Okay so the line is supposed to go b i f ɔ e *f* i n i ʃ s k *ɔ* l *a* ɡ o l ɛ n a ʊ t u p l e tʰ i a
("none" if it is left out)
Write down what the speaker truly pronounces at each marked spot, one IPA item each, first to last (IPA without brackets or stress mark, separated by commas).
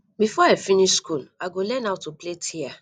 f, u, a